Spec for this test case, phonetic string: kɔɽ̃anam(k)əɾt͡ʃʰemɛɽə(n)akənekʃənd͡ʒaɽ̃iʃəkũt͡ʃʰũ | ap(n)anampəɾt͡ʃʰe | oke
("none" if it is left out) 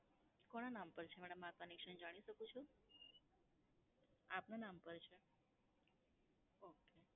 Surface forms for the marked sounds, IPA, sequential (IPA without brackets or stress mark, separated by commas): p, m, n